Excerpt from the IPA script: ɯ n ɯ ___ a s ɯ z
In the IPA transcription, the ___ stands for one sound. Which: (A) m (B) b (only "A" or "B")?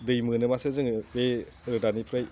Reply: A